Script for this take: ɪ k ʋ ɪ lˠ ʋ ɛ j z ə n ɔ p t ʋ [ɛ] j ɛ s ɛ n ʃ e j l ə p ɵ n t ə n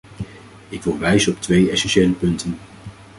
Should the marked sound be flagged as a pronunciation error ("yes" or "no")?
yes